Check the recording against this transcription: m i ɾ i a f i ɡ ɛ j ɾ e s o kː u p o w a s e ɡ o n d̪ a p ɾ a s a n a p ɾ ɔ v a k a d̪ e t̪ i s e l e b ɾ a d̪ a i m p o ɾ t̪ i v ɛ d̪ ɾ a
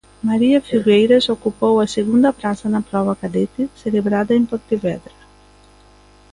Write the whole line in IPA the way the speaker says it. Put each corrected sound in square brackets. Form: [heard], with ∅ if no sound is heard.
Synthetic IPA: m [a] ɾ i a f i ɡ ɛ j ɾ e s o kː u p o w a s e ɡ [u] n d̪ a p ɾ a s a n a p ɾ ɔ v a k a d̪ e t̪ i s e l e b ɾ a d̪ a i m p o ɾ t̪ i v ɛ d̪ ɾ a